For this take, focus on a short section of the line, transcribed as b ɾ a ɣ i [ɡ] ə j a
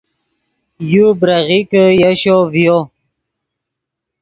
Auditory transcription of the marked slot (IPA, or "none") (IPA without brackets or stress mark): k